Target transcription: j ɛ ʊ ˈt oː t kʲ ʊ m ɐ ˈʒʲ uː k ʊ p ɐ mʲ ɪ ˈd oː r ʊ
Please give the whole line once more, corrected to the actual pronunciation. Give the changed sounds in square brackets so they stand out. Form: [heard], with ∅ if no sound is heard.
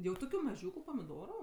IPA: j ɛ ʊ ˈt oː [∅] kʲ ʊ m ɐ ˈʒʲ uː k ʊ p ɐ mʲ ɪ ˈd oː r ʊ